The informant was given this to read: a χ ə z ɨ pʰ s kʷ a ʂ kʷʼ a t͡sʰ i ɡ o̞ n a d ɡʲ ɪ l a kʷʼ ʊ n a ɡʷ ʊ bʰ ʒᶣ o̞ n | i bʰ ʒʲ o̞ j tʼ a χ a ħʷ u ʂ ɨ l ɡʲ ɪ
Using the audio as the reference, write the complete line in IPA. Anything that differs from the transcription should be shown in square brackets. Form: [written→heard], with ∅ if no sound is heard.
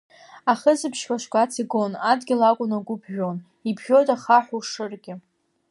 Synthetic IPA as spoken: a χ ə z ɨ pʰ [s→ʃ] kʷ a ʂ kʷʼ a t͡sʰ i ɡ o̞ n a d ɡʲ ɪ l a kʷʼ ʊ n a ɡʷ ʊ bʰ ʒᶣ o̞ n | i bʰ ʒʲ o̞ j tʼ a χ a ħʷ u ʂ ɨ [l→r] ɡʲ ɪ